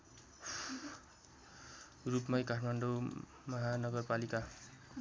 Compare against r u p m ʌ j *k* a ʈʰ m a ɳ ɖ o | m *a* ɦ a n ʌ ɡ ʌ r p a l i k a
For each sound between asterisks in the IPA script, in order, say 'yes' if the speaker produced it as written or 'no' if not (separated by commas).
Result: yes, no